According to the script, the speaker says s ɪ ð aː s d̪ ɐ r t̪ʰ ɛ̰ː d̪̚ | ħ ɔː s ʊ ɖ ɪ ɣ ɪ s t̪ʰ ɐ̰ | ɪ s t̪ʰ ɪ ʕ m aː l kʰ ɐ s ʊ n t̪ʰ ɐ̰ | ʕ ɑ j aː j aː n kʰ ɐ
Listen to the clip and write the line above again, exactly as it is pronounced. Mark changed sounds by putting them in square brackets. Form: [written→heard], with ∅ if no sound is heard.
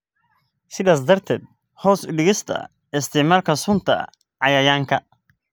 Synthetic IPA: s ɪ ð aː s d̪ ɐ r t̪ʰ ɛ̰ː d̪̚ | [ħ→h] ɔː s ʊ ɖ ɪ ɣ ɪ s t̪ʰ ɐ̰ | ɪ s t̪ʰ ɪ ʕ m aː l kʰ ɐ s ʊ n t̪ʰ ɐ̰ | ʕ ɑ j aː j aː [n→ŋ] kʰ ɐ